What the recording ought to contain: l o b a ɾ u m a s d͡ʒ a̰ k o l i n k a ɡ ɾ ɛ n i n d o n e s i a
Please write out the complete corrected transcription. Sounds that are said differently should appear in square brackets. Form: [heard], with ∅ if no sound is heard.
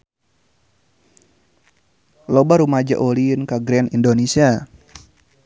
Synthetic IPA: l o b a ɾ u m a [∅] d͡ʒ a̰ [ʔ] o l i n k a ɡ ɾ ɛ n i n d o n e s i a